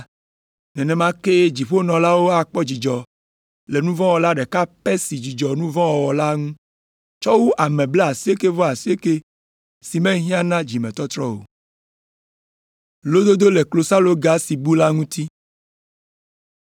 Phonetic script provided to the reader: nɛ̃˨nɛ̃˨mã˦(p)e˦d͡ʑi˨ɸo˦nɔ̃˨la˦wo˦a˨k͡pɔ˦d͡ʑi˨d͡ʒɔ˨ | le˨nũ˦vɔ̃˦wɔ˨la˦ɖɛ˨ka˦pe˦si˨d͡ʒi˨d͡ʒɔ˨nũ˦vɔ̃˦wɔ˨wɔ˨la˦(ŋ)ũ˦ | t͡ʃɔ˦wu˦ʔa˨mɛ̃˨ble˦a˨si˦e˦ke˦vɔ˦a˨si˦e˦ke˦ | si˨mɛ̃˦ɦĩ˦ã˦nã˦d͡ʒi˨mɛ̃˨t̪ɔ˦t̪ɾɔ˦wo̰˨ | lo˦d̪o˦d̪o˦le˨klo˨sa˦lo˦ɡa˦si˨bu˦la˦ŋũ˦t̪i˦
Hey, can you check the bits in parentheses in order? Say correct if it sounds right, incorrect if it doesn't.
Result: incorrect: k, correct

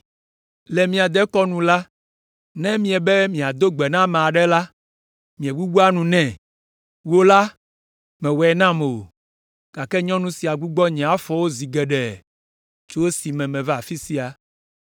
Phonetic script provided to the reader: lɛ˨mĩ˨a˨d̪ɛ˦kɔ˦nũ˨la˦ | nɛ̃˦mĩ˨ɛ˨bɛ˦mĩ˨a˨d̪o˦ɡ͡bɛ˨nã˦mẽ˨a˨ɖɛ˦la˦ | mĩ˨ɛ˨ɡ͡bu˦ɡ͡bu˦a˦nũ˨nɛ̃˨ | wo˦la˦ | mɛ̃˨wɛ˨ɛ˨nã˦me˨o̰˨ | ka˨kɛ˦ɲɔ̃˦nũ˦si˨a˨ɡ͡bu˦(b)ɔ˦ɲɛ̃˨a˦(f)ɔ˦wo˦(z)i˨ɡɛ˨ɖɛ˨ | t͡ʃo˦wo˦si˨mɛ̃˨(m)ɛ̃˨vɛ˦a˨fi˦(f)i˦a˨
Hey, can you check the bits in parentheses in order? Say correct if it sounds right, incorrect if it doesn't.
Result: incorrect: ɡ͡b, correct, correct, correct, incorrect: s

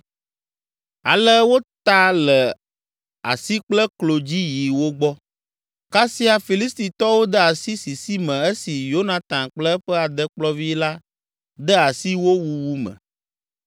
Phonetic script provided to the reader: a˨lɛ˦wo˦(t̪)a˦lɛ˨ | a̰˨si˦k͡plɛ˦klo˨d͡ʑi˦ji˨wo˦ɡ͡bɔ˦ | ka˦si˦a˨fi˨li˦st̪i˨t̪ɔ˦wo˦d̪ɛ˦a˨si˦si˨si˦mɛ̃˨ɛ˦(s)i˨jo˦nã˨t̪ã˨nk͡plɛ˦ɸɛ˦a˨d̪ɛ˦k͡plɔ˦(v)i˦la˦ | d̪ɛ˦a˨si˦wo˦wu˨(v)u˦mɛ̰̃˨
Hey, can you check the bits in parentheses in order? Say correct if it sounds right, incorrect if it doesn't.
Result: correct, correct, correct, incorrect: w

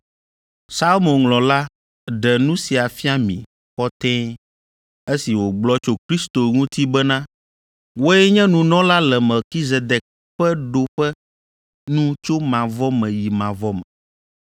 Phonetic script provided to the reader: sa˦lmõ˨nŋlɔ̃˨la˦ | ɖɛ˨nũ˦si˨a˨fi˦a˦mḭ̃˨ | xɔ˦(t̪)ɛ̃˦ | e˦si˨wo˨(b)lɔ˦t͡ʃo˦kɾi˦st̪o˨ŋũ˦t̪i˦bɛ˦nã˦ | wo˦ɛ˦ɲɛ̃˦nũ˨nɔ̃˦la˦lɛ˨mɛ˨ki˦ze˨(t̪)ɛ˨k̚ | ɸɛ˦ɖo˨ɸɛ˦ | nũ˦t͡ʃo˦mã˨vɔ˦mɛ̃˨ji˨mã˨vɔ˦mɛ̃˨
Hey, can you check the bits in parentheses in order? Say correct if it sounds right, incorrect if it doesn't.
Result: correct, incorrect: ɡ͡b, incorrect: d̪

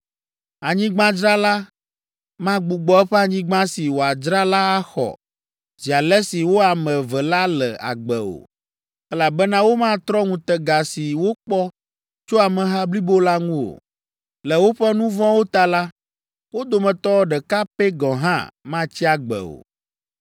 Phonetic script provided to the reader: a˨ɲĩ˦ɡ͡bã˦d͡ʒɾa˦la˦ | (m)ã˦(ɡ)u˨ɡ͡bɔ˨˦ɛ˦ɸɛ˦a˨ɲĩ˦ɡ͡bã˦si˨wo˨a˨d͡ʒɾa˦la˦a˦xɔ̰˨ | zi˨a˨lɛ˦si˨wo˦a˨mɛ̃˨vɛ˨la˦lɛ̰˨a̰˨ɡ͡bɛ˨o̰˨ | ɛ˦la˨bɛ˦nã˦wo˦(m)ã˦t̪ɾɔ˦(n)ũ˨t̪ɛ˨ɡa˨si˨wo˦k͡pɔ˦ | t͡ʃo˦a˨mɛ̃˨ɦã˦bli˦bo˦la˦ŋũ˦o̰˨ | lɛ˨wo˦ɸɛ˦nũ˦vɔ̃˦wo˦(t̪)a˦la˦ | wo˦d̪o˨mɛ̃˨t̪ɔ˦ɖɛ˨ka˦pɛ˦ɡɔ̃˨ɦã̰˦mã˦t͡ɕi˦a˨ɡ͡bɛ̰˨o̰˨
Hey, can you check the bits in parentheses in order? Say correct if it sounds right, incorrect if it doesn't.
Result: correct, incorrect: ɡ͡b, correct, incorrect: ŋ, correct

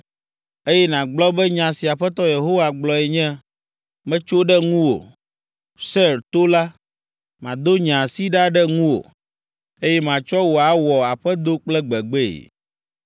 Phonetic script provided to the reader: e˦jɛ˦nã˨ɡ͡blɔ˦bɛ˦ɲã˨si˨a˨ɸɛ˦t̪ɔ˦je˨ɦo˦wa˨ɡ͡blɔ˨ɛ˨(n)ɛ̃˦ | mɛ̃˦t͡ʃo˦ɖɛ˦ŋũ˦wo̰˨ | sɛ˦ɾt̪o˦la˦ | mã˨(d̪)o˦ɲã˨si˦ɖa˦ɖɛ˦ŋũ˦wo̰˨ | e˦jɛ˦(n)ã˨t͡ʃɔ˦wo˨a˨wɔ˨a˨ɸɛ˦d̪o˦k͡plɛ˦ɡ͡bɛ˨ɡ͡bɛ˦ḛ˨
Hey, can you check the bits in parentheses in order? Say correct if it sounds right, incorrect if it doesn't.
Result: incorrect: ɲ, correct, incorrect: m

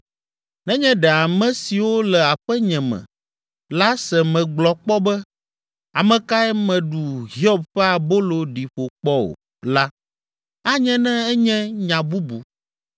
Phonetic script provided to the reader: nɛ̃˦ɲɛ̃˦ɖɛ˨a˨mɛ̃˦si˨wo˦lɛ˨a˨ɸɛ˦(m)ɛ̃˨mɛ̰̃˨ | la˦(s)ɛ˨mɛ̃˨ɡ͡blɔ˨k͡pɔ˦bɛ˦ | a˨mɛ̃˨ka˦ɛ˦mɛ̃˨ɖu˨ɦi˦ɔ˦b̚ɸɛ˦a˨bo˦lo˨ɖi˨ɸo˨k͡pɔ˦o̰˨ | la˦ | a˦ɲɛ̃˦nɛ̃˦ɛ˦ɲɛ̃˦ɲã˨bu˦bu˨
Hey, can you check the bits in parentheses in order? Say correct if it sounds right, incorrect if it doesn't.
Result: incorrect: ɲ, correct

